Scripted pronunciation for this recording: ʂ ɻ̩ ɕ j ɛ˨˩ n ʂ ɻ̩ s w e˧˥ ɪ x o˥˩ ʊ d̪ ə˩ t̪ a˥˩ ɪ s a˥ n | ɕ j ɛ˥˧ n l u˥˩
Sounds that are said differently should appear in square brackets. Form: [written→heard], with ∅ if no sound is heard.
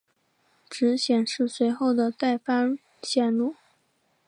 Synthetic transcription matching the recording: [ʂ→ʈ͡ʂ] ɻ̩ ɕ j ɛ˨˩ n ʂ ɻ̩ s w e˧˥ ɪ x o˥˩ ʊ d̪ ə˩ t̪ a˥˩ ɪ [s→f] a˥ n | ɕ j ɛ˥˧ n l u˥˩